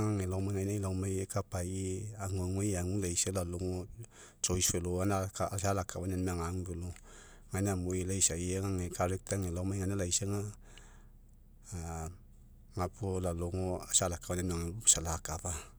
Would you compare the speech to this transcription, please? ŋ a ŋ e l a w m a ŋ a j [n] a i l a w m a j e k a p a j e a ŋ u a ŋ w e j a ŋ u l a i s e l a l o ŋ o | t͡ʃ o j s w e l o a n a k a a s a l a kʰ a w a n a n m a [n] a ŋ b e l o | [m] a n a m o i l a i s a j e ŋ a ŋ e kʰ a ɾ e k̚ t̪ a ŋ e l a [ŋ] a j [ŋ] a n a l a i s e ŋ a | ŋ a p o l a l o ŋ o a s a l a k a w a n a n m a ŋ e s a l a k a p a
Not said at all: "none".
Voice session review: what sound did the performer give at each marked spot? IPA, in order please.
n, ŋ, ŋ, m, ŋ

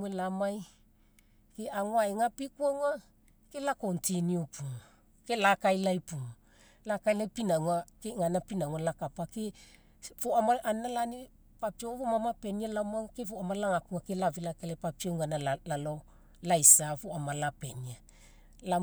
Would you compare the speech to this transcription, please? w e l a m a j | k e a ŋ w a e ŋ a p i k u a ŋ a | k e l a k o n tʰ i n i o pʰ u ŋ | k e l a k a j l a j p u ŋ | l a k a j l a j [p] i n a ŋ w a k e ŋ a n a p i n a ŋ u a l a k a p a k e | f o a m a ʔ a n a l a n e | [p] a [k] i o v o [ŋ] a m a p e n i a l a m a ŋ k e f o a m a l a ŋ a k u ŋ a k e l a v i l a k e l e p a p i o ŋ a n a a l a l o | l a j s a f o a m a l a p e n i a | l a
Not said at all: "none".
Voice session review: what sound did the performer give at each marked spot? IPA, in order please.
p, p, p, m

